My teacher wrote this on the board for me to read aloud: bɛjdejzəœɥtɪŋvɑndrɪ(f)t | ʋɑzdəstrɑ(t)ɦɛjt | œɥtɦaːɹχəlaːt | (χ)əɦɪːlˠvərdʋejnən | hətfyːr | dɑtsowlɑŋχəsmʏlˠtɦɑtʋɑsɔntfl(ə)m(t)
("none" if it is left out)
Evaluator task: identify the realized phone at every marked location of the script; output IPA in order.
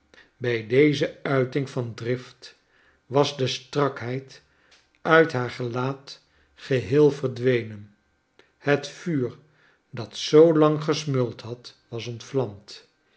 f, k, χ, ɑ, t

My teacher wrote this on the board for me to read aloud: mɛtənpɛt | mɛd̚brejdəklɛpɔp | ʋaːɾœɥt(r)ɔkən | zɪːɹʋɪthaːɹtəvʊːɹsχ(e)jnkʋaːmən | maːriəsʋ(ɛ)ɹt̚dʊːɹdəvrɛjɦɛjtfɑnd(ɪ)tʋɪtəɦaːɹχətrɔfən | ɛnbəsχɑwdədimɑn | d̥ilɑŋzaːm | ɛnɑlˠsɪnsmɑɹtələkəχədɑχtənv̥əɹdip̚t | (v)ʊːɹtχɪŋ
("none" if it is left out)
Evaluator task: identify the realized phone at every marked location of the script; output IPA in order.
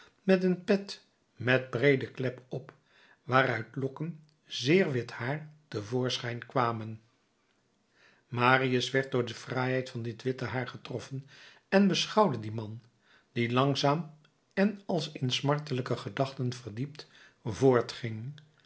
l, ɛ, ɛ, ɪ, v

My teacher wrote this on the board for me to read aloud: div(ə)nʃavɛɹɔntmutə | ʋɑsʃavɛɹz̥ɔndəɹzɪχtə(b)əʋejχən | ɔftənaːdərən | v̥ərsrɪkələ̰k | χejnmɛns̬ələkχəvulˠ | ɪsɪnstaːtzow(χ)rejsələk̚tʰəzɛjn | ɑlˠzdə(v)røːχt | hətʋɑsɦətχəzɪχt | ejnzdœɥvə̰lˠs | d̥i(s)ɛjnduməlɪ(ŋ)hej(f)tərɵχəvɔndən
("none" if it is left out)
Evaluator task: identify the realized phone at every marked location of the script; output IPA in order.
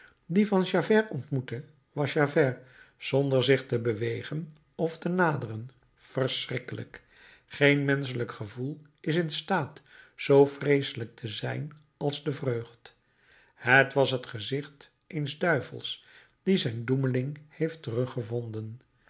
ɑ, b, f, v, z, ŋ, f

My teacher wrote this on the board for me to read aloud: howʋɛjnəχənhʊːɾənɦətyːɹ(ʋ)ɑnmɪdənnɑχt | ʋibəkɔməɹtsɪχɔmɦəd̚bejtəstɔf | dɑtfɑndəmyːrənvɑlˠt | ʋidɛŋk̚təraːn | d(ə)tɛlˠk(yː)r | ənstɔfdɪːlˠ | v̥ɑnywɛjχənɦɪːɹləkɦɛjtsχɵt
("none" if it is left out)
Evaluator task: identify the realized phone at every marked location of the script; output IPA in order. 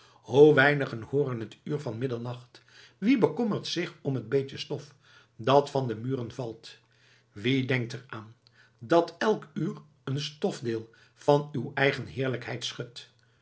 v, ɑ, yː

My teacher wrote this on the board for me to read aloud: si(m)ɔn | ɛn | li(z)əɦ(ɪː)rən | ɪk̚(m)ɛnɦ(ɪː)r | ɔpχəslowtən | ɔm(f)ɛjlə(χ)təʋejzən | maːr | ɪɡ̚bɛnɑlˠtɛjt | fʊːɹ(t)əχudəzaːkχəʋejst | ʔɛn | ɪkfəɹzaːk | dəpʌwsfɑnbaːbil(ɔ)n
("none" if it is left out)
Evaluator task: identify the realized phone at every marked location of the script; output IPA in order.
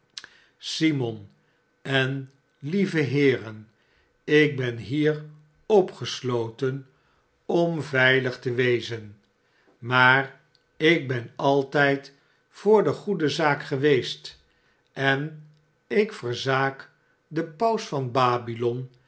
m, v, ɪː, b, iː, v, χ, d, ɔ

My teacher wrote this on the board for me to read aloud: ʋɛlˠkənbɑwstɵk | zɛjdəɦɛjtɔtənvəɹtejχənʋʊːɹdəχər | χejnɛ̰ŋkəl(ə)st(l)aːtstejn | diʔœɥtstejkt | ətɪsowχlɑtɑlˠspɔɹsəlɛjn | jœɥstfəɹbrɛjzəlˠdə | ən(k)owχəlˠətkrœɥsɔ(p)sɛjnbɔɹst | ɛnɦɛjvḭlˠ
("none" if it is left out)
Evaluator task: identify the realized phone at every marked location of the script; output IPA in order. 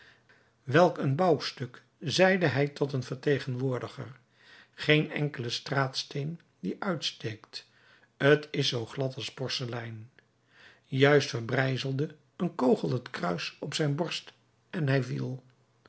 ə, r, k, p

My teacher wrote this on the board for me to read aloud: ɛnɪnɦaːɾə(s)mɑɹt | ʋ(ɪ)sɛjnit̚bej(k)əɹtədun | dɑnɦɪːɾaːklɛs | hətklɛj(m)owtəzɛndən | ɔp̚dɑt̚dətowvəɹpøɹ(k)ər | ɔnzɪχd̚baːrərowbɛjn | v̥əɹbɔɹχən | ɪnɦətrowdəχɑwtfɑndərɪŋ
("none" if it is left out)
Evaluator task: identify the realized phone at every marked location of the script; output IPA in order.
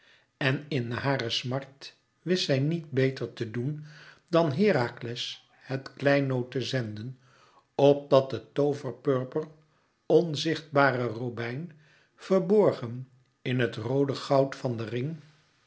s, ɪ, t, n, p

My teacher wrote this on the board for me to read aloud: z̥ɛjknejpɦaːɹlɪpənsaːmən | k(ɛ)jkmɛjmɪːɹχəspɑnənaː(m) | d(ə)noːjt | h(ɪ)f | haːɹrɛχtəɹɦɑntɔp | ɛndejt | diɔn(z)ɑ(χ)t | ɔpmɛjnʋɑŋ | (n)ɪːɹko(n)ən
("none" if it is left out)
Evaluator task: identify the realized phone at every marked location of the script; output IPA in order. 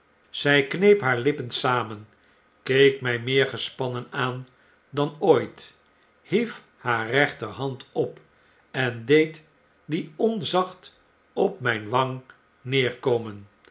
e, n, ɑ, i, z, χ, n, m

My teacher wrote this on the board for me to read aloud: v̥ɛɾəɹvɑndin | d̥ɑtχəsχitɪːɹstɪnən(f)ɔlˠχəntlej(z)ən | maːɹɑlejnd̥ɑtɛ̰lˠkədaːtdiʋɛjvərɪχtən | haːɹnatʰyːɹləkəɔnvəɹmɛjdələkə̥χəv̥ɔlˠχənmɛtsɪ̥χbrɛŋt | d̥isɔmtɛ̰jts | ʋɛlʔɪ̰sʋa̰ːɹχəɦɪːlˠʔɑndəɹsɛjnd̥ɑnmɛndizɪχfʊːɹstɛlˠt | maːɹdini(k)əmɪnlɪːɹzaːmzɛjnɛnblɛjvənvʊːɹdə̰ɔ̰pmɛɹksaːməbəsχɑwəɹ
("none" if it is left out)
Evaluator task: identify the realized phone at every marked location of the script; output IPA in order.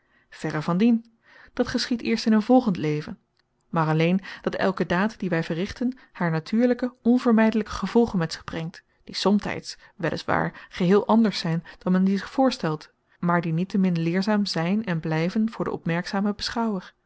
v, v, t

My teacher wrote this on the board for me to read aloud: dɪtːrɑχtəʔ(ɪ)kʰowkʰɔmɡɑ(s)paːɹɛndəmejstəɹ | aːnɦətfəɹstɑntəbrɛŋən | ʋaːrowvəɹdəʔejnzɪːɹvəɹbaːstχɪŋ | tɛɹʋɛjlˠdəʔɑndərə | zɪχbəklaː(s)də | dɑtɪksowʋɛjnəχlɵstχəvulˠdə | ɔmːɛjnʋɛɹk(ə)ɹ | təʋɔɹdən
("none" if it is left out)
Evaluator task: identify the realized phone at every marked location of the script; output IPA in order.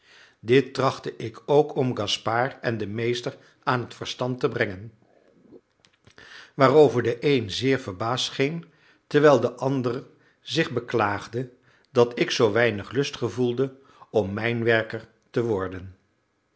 ɪ, s, χ, ə

